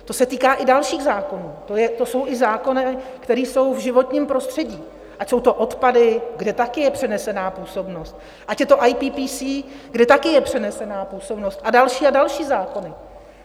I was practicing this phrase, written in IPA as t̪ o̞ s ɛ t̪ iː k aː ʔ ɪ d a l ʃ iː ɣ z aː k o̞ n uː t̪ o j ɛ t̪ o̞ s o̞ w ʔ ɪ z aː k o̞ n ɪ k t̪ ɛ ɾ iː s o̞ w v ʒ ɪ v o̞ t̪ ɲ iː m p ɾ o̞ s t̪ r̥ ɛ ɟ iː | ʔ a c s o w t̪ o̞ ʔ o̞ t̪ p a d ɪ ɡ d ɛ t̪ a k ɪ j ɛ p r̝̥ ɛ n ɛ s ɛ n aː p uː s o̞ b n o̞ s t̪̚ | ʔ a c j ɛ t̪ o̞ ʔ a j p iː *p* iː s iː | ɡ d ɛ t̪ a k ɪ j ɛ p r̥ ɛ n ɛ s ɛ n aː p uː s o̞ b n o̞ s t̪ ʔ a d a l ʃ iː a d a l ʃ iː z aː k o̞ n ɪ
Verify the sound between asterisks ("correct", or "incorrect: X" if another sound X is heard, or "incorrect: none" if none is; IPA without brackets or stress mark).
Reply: correct